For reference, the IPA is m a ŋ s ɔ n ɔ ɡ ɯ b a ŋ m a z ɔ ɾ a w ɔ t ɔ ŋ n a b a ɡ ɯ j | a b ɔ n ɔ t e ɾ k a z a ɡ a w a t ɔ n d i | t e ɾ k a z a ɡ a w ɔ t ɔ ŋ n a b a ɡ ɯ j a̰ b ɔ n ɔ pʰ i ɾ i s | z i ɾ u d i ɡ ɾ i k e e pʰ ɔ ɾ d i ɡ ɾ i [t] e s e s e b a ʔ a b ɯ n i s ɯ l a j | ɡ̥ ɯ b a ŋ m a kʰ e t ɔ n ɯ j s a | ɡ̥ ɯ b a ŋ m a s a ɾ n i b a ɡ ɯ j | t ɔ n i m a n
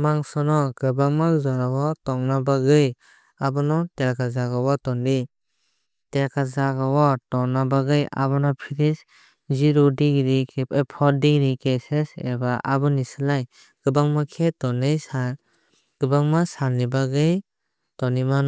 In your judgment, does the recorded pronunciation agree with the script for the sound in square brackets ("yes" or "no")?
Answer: no